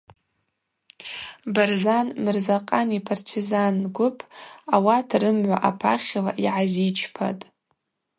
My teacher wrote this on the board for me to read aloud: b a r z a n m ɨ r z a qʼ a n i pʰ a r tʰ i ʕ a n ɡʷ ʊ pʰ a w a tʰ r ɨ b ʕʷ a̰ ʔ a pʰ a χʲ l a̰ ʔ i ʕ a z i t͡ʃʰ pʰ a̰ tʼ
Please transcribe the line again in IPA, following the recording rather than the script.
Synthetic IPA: b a r z a n m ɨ r z a qʼ a n i pʰ a r tʰ i z a n ɡʷ ʊ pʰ a w a tʰ r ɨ m ʕʷ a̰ ʔ a pʰ a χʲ l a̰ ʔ i ʕ a z i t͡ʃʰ pʰ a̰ tʼ